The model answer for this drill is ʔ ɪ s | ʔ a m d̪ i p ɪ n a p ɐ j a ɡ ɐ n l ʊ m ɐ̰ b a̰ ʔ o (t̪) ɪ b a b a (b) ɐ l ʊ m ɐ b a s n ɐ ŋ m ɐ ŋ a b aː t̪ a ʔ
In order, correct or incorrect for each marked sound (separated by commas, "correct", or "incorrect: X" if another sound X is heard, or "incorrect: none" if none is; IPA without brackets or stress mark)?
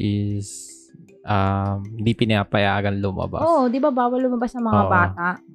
incorrect: d̪, incorrect: w